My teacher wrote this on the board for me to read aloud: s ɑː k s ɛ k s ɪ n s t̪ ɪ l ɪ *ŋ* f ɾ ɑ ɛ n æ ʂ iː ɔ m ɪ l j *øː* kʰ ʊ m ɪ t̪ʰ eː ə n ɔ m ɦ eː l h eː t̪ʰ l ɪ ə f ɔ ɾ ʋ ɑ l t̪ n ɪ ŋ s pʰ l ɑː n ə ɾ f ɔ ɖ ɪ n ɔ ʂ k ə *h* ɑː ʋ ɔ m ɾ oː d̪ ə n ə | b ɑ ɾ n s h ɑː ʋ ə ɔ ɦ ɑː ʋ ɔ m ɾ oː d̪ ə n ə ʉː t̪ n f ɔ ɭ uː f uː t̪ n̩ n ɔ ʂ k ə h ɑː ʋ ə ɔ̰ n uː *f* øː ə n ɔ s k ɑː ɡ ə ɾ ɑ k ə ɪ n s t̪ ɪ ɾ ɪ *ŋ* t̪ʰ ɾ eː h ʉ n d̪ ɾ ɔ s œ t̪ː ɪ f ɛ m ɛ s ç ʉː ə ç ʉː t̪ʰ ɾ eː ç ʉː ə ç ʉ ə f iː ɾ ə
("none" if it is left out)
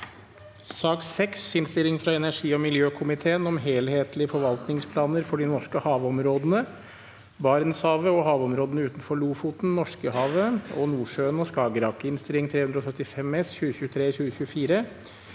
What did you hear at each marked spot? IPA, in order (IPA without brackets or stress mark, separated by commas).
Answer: ŋ, øː, h, ʂ, ŋ